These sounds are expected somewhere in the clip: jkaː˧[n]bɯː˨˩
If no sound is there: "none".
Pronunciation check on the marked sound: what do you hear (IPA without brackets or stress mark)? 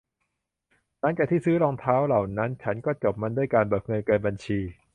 n